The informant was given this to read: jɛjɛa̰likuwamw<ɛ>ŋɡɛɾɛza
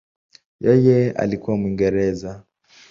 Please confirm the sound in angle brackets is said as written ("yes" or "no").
no